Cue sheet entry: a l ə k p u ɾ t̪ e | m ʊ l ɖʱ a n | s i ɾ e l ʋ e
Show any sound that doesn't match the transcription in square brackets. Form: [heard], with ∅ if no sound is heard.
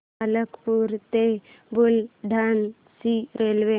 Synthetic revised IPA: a l ə k p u ɾ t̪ e | [b] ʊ l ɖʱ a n | s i ɾ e l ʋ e